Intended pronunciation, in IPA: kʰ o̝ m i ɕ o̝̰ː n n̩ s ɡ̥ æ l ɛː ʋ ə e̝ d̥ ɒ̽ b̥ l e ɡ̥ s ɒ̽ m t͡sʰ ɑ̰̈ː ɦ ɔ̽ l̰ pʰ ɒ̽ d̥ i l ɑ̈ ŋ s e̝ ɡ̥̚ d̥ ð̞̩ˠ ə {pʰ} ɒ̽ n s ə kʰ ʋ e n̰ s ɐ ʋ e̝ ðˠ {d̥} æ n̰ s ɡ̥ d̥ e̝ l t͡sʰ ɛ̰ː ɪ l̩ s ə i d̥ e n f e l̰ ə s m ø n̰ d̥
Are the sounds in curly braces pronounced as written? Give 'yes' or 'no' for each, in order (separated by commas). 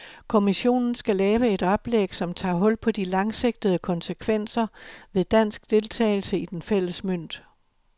no, yes